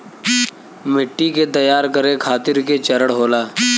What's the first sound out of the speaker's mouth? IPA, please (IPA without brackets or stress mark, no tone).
m